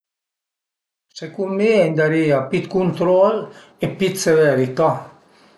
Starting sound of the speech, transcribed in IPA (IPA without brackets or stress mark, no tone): s